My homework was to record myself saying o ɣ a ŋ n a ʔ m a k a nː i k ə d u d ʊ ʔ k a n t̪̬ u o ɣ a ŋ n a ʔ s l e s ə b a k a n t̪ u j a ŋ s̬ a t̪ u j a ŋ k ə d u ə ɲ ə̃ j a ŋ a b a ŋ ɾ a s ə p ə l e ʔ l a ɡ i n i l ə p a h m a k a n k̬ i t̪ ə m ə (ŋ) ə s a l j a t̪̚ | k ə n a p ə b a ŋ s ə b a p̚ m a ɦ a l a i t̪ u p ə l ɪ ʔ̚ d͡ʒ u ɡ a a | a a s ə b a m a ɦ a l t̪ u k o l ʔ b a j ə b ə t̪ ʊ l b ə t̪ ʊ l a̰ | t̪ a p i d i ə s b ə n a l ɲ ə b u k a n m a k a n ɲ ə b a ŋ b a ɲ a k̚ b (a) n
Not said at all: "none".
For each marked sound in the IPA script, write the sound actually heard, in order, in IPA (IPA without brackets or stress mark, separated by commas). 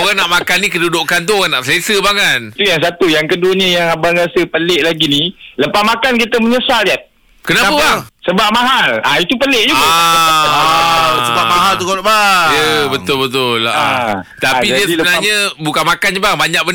ɲ, ə